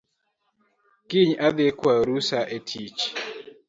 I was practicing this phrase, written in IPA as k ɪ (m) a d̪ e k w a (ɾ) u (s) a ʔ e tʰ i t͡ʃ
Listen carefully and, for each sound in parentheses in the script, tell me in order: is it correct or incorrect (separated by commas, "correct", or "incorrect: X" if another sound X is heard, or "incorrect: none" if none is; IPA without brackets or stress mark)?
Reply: incorrect: ɲ, correct, correct